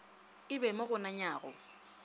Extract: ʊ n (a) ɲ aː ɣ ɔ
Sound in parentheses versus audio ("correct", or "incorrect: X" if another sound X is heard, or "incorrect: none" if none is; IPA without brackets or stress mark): correct